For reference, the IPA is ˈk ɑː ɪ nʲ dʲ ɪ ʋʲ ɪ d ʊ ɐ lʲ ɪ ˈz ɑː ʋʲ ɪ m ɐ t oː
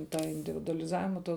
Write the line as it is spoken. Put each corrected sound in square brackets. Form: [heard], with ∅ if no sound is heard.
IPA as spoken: [ˈt] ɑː ɪ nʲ dʲ ɪ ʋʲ ɪ d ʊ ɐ lʲ ɪ ˈz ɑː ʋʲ ɪ m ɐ t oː